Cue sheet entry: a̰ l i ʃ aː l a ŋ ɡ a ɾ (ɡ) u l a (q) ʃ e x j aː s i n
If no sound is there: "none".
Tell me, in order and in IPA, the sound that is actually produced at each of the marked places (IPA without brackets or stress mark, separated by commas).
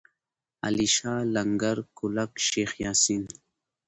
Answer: k, k